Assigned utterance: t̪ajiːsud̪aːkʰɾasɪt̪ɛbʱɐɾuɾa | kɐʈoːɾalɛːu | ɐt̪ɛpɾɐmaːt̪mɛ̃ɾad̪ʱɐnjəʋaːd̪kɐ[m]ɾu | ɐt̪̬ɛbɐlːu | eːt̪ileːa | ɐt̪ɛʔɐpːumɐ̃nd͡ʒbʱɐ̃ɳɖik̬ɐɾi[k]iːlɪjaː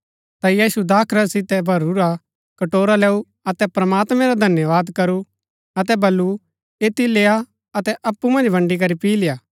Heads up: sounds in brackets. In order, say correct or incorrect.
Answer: incorrect: none, incorrect: p

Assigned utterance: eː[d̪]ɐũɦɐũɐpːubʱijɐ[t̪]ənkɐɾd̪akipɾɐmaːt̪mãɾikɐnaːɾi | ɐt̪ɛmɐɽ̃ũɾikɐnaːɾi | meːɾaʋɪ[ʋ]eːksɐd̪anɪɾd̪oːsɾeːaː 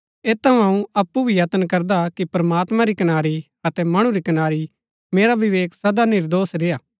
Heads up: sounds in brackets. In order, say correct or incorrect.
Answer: incorrect: t̪, correct, correct

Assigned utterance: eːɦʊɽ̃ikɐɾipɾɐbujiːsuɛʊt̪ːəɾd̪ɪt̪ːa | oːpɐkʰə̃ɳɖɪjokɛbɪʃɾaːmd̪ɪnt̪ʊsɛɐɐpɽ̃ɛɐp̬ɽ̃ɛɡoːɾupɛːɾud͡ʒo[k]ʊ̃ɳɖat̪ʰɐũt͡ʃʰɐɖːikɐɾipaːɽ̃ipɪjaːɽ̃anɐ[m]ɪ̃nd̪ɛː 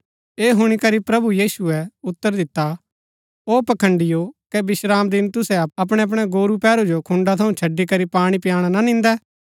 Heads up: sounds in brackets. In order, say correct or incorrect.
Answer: incorrect: kʰ, incorrect: n

